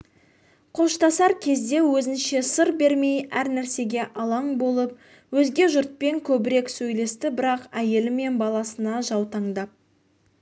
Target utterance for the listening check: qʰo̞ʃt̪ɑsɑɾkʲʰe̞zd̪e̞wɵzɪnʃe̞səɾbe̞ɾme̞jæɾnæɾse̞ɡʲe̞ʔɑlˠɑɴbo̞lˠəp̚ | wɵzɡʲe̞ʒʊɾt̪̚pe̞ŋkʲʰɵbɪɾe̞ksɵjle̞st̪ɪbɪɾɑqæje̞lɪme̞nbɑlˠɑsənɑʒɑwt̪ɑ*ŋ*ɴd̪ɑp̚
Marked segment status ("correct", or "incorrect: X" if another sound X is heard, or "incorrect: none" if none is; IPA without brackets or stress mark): incorrect: none